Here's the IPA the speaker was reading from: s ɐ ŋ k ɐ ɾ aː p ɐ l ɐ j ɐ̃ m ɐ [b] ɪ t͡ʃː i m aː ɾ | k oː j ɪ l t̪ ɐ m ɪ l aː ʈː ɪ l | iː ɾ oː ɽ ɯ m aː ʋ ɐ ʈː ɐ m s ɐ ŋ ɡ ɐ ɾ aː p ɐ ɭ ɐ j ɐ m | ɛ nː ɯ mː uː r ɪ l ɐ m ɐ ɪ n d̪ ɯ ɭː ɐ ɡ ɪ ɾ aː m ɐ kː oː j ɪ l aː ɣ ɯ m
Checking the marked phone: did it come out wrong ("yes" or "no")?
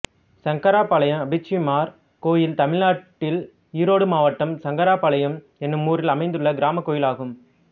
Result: no